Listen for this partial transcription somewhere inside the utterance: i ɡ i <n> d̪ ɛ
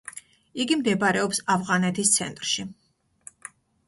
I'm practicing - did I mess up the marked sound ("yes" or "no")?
yes